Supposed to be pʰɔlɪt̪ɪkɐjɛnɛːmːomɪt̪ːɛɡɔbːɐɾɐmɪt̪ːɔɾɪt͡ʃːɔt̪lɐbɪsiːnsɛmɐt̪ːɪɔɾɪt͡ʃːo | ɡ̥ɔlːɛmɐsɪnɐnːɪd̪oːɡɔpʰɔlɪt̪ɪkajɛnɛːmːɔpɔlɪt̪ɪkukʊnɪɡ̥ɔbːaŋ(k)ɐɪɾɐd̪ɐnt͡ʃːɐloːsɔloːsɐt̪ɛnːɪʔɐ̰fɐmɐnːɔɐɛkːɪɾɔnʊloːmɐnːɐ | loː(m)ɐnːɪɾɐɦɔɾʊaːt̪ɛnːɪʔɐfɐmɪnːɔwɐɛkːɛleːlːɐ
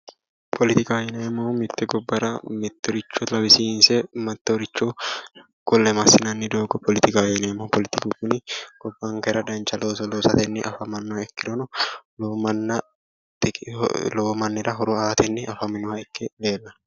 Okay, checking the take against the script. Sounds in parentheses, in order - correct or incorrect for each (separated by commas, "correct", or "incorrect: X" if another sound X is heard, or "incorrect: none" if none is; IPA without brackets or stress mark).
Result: correct, correct